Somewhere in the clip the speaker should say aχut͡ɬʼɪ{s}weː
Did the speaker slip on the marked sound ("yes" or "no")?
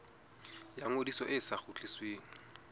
no